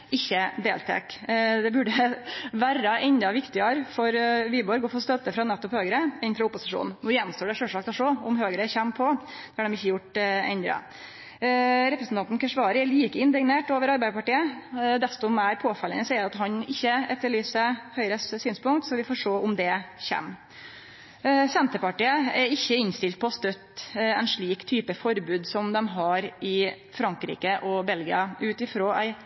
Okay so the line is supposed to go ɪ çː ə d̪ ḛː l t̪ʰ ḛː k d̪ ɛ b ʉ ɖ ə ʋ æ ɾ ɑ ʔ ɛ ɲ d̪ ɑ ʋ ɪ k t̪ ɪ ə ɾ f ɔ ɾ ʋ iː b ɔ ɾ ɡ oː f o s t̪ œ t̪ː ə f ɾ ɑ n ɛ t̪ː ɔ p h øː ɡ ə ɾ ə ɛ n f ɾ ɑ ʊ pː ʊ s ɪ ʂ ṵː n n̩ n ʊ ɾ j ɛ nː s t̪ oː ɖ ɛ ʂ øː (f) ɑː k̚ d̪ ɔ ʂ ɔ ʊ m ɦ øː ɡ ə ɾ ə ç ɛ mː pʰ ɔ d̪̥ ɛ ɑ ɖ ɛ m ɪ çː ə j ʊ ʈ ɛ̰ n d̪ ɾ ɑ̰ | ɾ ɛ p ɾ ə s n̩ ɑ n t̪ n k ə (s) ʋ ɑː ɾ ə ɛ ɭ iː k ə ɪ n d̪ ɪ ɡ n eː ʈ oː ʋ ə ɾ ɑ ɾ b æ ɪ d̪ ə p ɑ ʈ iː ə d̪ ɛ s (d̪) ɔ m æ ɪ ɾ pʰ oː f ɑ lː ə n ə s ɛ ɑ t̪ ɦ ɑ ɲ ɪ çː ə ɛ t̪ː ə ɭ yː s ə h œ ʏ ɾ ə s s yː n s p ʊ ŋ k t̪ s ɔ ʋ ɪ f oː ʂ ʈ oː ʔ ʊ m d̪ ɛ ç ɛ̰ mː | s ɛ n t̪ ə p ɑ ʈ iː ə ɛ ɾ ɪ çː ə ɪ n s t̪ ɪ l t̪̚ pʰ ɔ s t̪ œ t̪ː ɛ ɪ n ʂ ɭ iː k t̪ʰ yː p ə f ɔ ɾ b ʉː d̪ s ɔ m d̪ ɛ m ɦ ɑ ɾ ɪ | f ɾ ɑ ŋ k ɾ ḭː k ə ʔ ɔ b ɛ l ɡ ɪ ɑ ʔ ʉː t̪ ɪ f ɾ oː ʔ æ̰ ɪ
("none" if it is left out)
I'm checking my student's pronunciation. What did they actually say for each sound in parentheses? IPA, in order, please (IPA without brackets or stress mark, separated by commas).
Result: ʂ, ʂ, t̪